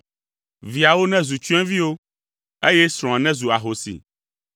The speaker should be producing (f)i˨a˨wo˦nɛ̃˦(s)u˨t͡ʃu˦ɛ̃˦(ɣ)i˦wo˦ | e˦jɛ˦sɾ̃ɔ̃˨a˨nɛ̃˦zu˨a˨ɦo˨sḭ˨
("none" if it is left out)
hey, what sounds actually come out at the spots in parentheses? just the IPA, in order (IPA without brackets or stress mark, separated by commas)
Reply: v, z, v